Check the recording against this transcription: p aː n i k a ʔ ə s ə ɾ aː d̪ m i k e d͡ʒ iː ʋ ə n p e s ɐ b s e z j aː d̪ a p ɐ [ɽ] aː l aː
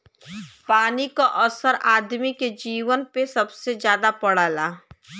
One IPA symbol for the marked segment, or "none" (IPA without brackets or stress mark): ɽ